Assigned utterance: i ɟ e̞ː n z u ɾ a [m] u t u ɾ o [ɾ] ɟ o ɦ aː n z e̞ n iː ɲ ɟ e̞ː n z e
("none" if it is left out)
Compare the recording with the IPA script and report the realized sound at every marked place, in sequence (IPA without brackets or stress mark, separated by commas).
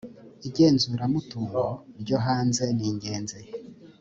m, ɾ